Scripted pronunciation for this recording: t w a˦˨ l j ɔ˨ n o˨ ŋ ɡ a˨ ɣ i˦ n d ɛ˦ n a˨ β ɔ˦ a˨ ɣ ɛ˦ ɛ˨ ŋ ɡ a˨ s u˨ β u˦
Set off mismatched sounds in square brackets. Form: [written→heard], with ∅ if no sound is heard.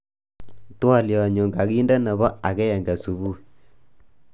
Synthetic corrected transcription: t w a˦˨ l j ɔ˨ [n→ɲ] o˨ ŋ ɡ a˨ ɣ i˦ n d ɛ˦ n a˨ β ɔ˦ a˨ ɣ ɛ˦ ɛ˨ ŋ ɡ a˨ s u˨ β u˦